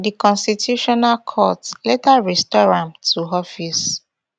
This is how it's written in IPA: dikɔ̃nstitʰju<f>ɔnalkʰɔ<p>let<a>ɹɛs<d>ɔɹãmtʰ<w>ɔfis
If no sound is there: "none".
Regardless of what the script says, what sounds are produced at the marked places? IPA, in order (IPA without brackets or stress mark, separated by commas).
ʃ, t, a, t, u